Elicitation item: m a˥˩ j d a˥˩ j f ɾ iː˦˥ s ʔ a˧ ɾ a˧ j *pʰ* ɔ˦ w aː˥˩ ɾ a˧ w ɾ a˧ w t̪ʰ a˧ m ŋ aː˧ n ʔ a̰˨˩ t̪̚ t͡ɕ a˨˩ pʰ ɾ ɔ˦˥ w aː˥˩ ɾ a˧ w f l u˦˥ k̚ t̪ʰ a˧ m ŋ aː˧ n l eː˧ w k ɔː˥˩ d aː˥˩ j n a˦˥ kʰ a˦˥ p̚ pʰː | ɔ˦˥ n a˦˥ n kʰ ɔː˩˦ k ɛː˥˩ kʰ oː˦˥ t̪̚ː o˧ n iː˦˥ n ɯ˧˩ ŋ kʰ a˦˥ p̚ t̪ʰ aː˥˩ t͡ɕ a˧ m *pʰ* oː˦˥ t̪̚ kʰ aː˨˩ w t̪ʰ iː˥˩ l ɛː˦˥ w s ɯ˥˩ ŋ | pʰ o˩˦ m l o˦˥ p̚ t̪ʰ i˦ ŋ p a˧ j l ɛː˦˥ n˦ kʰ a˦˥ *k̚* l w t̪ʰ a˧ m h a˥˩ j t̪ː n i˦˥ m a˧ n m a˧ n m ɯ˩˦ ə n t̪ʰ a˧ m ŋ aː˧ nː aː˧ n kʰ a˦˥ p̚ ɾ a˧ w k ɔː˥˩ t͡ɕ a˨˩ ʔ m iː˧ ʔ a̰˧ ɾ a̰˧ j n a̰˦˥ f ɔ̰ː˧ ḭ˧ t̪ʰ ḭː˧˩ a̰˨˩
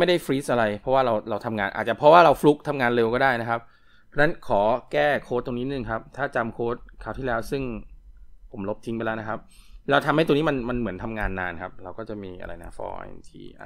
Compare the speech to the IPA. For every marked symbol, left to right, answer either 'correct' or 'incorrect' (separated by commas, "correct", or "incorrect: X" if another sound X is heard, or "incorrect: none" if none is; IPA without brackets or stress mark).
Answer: correct, incorrect: kʰ, incorrect: p̚